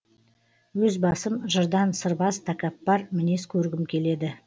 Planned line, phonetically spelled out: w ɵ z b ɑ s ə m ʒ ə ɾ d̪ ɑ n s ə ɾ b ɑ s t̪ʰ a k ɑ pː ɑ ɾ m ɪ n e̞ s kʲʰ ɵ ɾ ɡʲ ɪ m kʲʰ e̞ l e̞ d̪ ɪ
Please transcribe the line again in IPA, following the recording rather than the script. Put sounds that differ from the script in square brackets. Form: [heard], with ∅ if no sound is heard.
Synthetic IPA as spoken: w ɵ z b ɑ s ə m ʒ ə ɾ d̪ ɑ n s ə ɾ b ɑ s t̪ʰ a k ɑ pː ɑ ɾ m ɪ n e̞ s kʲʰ ɵ ɾ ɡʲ ɪ m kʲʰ e̞ l e̞ d̪ ɪ